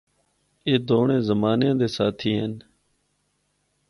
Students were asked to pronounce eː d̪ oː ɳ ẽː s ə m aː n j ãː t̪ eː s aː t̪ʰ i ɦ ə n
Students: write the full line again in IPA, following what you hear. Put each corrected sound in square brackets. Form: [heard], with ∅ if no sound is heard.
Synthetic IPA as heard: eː d̪ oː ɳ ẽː [z] ə m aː n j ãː [d̪] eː s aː t̪ʰ [iː] ɦ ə n